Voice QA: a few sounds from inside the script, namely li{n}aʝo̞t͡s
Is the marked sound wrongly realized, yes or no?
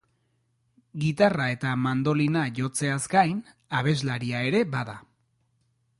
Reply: no